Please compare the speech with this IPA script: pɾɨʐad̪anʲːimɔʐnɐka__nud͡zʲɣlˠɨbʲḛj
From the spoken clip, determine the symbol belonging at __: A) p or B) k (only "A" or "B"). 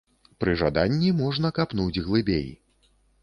A